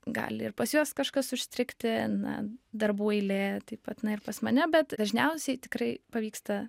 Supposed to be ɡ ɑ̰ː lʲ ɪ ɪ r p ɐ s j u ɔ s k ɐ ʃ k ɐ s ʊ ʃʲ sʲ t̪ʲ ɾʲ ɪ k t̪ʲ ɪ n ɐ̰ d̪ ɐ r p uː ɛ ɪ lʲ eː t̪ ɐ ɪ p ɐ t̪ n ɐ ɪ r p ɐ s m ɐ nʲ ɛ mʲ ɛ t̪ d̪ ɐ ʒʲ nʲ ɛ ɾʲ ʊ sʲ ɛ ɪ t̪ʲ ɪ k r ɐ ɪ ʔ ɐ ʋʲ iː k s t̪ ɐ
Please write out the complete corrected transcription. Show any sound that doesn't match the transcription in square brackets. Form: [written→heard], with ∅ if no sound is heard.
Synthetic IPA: ɡ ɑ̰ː lʲ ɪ ɪ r p ɐ s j u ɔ s k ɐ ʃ k ɐ s ʊ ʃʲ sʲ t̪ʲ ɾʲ ɪ k t̪ʲ ɪ n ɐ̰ d̪ ɐ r [p→b] uː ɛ ɪ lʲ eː t̪ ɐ ɪ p ɐ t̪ n ɐ ɪ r p ɐ s m ɐ nʲ ɛ [mʲ→bʲ] ɛ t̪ d̪ ɐ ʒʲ nʲ ɛ [ɾʲ→∅] ʊ sʲ ɛ ɪ t̪ʲ ɪ k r ɐ ɪ [ʔ→p] ɐ ʋʲ iː k s t̪ ɐ

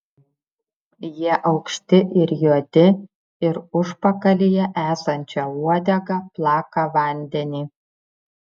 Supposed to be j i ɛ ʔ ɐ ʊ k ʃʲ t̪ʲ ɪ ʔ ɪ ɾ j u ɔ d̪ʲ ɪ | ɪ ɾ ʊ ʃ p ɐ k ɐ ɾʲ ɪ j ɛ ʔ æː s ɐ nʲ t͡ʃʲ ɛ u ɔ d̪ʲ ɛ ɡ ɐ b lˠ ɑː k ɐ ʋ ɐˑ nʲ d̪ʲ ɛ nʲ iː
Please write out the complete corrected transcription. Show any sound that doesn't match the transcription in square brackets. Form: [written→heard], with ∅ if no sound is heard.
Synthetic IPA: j i ɛ ʔ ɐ ʊ k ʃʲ t̪ʲ ɪ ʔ ɪ ɾ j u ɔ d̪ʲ ɪ | ɪ ɾ ʊ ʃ p ɐ k ɐ [ɾʲ→lʲ] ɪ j ɛ ʔ æː s ɐ nʲ t͡ʃʲ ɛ u ɔ d̪ʲ ɛ ɡ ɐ [b→p] lˠ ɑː k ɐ ʋ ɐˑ nʲ d̪ʲ ɛ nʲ iː

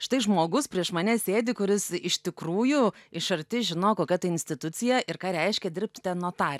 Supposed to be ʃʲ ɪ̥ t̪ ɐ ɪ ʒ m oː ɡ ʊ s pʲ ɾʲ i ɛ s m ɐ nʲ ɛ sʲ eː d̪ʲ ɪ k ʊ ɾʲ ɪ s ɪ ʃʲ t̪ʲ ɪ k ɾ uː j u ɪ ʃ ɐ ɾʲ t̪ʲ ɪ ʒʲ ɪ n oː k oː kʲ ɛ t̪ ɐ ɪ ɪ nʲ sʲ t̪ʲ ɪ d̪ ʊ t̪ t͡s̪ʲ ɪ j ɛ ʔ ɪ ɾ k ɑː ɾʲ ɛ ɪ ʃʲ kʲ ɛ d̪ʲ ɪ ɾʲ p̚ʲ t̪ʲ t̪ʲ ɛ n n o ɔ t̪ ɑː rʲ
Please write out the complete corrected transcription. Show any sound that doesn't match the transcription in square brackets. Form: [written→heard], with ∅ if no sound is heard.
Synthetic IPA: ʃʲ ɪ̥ t̪ ɐ ɪ ʒ m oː ɡ ʊ s pʲ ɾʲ i ɛ [s→ʃ] m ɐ nʲ ɛ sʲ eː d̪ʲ ɪ k ʊ ɾʲ ɪ s ɪ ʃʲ t̪ʲ ɪ k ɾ uː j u ɪ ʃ ɐ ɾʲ t̪ʲ ɪ ʒʲ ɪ n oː k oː kʲ ɛ t̪ ɐ ɪ ɪ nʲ sʲ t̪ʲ ɪ [d̪→t̪] ʊ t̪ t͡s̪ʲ ɪ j ɛ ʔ ɪ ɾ k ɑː ɾʲ ɛ ɪ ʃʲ kʲ ɛ d̪ʲ ɪ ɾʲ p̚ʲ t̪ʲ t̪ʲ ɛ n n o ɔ t̪ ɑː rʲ

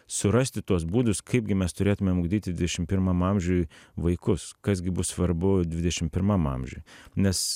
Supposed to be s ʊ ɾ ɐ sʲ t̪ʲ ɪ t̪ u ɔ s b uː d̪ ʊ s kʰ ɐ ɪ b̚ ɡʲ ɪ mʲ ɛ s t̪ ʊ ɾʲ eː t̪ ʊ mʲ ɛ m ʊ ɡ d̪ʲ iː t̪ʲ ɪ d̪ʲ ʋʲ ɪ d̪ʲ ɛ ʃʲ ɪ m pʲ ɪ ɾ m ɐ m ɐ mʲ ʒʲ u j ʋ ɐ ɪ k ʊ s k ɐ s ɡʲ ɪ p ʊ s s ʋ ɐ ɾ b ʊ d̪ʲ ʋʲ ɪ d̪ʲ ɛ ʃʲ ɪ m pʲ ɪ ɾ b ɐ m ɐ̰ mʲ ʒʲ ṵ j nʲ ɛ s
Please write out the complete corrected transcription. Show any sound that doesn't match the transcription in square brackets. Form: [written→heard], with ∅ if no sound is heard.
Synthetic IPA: s ʊ ɾ ɐ sʲ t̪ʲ ɪ t̪ u ɔ s b uː d̪ ʊ s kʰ ɐ ɪ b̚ ɡʲ ɪ mʲ ɛ s t̪ ʊ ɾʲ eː t̪ ʊ mʲ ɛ m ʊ ɡ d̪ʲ iː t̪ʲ ɪ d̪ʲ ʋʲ ɪ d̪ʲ ɛ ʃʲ ɪ m pʲ ɪ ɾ m ɐ m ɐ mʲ ʒʲ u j ʋ ɐ ɪ k ʊ s k ɐ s ɡʲ ɪ [p→b] ʊ s s ʋ ɐ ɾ b ʊ d̪ʲ ʋʲ ɪ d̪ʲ ɛ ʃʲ ɪ m pʲ ɪ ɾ [b→m] ɐ m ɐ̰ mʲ ʒʲ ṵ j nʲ ɛ s

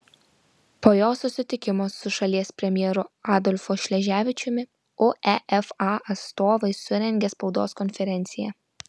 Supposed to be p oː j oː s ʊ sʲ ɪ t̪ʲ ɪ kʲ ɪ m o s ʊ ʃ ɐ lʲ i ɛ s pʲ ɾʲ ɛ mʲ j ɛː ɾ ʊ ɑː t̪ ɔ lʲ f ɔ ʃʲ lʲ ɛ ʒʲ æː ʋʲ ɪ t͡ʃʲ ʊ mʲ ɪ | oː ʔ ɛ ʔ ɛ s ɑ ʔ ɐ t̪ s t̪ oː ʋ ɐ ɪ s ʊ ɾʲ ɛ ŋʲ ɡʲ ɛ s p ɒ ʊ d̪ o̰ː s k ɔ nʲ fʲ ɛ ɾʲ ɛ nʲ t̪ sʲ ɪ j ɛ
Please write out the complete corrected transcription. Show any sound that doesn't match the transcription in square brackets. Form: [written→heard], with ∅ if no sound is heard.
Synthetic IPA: p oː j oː s ʊ sʲ ɪ t̪ʲ ɪ kʲ ɪ m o s ʊ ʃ ɐ lʲ i ɛ s pʲ ɾʲ ɛ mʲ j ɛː ɾ ʊ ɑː [t̪→d̪] ɔ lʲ f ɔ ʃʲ lʲ ɛ ʒʲ æː ʋʲ ɪ t͡ʃʲ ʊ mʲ ɪ | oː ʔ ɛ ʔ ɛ [s→f] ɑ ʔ ɐ t̪ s t̪ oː ʋ ɐ ɪ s ʊ ɾʲ ɛ ŋʲ ɡʲ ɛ s p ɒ ʊ d̪ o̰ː s k ɔ nʲ fʲ ɛ ɾʲ ɛ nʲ t̪ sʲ ɪ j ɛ

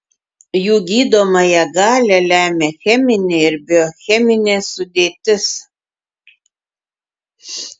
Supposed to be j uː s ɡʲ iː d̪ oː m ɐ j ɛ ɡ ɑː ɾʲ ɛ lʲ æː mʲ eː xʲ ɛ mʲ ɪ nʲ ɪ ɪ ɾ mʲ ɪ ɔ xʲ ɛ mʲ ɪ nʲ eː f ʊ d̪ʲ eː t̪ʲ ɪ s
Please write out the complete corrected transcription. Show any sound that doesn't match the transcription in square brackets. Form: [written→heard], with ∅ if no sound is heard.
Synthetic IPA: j uː [s→∅] ɡʲ iː d̪ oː m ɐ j ɛ ɡ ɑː [ɾʲ→lʲ] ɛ lʲ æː mʲ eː xʲ ɛ mʲ ɪ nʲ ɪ ɪ ɾ [mʲ→bʲ] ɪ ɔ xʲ ɛ mʲ ɪ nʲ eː [f→s] ʊ d̪ʲ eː t̪ʲ ɪ s

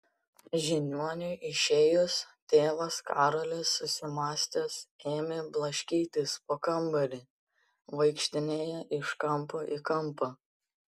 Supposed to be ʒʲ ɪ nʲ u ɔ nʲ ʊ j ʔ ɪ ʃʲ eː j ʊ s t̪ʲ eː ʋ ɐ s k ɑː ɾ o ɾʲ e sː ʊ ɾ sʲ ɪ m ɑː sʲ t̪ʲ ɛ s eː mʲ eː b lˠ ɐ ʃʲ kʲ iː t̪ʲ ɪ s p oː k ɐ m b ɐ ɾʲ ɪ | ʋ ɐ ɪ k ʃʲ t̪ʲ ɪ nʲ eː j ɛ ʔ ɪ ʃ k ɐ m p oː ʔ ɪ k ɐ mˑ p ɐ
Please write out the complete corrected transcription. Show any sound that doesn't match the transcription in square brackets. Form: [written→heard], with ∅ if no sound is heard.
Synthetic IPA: ʒʲ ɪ nʲ u ɔ nʲ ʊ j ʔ ɪ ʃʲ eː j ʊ s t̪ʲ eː ʋ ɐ s k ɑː ɾ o [ɾʲ→lʲ] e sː ʊ [ɾ→∅] sʲ ɪ m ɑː sʲ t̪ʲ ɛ s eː mʲ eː b lˠ ɐ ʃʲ kʲ iː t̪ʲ ɪ s p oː k ɐ m b ɐ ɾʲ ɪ | ʋ ɐ ɪ k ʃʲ t̪ʲ ɪ nʲ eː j ɛ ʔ ɪ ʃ k ɐ m p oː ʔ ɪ k ɐ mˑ p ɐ

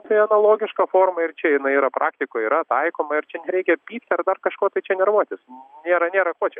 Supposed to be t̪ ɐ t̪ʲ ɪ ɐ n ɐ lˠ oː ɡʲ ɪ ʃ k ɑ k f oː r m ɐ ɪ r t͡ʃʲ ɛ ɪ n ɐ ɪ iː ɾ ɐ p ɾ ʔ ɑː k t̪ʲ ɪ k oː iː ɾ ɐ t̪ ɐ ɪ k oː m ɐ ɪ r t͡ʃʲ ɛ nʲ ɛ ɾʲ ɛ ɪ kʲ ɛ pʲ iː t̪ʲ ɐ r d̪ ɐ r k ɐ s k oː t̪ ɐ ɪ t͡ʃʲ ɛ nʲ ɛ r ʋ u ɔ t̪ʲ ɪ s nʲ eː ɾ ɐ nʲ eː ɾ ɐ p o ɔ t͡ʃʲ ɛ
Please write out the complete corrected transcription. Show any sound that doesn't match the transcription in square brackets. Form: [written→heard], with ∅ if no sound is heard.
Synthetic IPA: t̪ ɐ [t̪ʲ→∅] ɪ ɐ n ɐ lˠ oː ɡʲ ɪ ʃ k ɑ [k→∅] f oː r m ɐ ɪ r t͡ʃʲ ɛ ɪ n ɐ ɪ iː ɾ ɐ p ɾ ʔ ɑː k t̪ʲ ɪ k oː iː ɾ ɐ t̪ ɐ ɪ k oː m ɐ ɪ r t͡ʃʲ ɛ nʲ ɛ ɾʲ ɛ ɪ kʲ ɛ pʲ iː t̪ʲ ɐ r d̪ ɐ r k ɐ [s→ʃ] k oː t̪ ɐ ɪ t͡ʃʲ ɛ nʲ ɛ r ʋ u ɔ t̪ʲ ɪ s nʲ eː ɾ ɐ nʲ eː ɾ ɐ [p→k] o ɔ t͡ʃʲ ɛ

